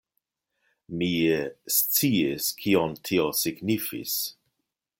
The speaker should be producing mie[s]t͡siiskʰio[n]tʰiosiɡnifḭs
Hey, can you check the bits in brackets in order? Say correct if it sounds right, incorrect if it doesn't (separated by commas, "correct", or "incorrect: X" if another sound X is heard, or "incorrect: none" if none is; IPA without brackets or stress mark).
correct, correct